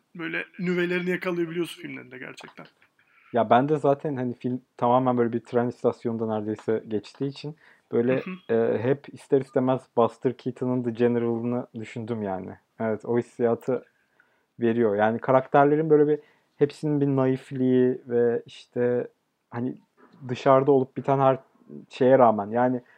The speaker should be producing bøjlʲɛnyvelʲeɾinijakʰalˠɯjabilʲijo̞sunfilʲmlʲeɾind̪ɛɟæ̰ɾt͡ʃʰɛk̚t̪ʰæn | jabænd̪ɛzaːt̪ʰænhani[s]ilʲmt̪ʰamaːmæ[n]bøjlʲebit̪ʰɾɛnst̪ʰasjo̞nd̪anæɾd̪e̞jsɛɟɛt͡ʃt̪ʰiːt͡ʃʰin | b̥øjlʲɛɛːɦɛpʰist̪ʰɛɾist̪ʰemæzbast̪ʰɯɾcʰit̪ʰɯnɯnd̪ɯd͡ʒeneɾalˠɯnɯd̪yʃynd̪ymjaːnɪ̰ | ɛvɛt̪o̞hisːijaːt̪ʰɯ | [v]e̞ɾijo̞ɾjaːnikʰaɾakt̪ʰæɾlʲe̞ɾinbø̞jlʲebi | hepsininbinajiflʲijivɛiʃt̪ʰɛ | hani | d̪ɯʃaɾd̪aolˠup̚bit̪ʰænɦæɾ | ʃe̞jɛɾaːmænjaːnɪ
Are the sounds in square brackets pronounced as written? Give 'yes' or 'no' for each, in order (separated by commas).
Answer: no, yes, yes